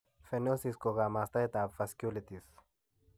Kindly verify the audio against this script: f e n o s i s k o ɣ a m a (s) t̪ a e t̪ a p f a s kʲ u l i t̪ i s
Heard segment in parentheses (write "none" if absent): s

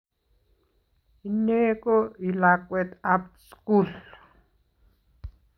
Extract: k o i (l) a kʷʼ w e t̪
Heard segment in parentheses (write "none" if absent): l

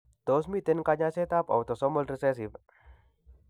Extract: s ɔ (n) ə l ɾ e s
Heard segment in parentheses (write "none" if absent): m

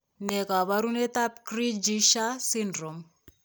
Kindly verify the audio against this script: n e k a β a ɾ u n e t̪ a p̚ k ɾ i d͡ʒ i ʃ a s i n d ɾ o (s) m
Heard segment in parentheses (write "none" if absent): none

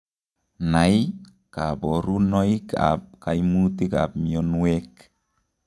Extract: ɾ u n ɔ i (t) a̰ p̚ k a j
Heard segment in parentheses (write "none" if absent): k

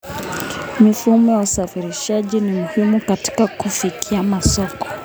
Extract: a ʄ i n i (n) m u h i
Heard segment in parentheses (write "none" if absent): none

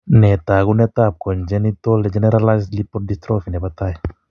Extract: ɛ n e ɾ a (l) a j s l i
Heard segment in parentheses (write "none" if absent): l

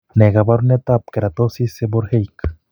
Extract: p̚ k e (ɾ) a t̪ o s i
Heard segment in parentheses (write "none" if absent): ɾ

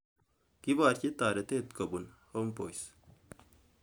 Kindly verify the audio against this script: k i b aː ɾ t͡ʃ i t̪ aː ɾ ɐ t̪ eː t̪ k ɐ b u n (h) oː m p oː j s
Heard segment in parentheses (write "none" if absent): h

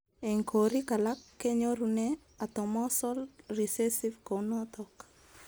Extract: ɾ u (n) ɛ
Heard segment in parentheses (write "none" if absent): n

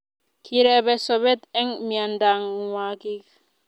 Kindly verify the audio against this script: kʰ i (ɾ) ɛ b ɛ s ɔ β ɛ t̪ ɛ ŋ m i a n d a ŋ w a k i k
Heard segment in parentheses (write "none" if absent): ɾ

